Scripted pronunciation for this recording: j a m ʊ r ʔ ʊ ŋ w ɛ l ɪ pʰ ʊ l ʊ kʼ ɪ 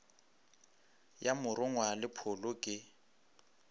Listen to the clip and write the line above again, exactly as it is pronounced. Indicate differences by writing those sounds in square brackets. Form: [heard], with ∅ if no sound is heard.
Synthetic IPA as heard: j a m ʊ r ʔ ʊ ŋ w [a] l ɪ pʰ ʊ l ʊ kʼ ɪ